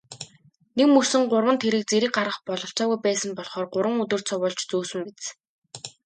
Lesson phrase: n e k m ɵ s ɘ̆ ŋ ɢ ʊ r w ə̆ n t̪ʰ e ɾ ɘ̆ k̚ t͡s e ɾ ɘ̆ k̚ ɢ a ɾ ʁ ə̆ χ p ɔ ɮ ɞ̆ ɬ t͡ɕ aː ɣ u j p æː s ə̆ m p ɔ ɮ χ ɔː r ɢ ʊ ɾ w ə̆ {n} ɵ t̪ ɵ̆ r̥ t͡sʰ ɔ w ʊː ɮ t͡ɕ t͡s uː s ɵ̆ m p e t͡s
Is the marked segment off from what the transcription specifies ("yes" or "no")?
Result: yes